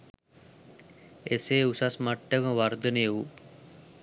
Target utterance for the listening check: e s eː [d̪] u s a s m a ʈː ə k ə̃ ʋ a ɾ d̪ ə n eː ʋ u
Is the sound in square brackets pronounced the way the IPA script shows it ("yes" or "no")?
no